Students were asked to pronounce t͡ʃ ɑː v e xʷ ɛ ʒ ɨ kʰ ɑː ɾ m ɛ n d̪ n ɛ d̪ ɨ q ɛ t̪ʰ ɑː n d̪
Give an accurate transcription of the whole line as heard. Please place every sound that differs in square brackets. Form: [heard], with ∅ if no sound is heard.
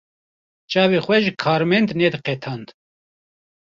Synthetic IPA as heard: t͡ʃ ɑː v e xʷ ɛ ʒ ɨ kʰ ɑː ɾ m ɛ n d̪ n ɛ d̪ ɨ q ɛ t̪ʰ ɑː n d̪

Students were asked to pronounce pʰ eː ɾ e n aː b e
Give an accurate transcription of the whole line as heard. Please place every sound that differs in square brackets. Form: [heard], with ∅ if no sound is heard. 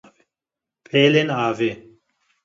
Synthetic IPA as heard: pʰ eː [l] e n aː [v] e

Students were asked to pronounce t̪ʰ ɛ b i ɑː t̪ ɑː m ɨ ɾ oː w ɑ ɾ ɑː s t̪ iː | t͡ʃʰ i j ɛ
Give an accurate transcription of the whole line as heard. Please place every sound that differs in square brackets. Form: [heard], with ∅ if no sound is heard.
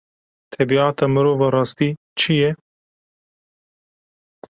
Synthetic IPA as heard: t̪ʰ ɛ b i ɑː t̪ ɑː m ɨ ɾ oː [v] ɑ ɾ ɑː s t̪ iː | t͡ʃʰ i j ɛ

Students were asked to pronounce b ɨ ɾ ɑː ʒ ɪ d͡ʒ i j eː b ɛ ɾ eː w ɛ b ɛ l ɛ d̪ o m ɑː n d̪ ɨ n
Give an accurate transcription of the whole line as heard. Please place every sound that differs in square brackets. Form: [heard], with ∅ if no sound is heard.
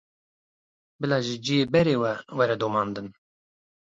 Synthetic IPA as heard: b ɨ [l] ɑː ʒ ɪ d͡ʒ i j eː b ɛ ɾ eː w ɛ [w] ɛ [ɾ] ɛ d̪ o m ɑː n d̪ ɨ n

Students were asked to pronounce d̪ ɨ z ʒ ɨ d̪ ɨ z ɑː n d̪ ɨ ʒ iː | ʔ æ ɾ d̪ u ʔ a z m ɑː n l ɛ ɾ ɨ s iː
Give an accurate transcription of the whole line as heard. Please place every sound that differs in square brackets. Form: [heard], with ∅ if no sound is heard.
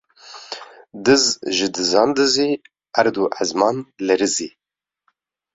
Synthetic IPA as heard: d̪ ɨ z ʒ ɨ d̪ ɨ z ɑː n d̪ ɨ [z] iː | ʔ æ ɾ d̪ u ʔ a z m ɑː n l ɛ ɾ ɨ [z] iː

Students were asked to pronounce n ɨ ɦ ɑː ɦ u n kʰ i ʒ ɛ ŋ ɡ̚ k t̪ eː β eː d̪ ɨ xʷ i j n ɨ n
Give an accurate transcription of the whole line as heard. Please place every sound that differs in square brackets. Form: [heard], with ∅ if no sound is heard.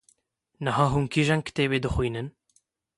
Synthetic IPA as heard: n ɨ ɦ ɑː ɦ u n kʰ i ʒ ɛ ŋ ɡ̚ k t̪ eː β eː d̪ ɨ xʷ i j n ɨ n

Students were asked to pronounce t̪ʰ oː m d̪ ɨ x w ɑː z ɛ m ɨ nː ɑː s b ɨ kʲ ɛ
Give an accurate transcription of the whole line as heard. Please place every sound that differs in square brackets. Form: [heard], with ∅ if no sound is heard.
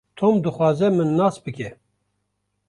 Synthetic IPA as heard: t̪ʰ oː m d̪ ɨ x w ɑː z ɛ m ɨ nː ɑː s b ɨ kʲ ɛ

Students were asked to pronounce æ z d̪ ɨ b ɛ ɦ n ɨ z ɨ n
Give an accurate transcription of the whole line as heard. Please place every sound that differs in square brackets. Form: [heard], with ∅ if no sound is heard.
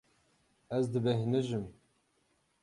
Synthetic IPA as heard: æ z d̪ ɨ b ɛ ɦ n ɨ [ʒ] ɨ [m]

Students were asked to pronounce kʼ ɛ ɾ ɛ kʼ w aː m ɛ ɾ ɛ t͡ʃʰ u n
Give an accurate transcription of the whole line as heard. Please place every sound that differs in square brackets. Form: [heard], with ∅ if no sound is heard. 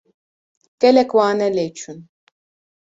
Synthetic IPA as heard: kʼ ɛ [l] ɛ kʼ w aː [n] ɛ [l] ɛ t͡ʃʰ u n

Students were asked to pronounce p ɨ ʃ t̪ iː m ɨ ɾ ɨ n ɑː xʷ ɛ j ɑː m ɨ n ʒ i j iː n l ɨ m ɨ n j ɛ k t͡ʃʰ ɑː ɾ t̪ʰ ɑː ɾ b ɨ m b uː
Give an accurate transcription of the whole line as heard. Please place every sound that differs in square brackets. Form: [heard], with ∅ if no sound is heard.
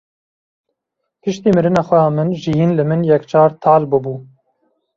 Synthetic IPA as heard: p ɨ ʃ t̪ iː m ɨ ɾ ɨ n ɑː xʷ ɛ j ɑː m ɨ n ʒ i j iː n l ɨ m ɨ n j ɛ k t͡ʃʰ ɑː ɾ t̪ʰ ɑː [l] b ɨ [∅] b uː

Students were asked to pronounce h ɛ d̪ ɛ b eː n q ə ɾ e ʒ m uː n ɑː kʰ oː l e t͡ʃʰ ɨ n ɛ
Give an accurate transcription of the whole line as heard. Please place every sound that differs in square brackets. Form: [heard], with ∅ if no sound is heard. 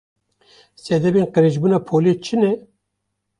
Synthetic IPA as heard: [s] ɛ d̪ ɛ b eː n q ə ɾ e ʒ [b] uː n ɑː [pʰ] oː l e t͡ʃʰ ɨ n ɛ

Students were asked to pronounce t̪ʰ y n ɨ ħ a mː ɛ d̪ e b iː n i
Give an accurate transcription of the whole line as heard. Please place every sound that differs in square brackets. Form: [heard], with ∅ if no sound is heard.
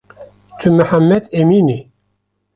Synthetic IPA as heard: t̪ʰ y [m] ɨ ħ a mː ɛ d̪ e [m] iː n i

